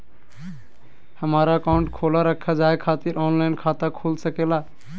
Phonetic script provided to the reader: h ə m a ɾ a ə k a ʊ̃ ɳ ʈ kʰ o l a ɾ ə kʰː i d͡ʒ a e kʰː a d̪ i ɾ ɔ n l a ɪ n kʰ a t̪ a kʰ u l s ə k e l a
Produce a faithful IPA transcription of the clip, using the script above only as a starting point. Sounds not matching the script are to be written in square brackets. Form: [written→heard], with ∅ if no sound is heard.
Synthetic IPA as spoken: h ə m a ɾ a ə k a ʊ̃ ɳ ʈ kʰ o l a ɾ ə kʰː [i→a] d͡ʒ a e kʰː a [d̪→t̪] i ɾ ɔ n l a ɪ n kʰ a t̪ a kʰ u l s ə k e l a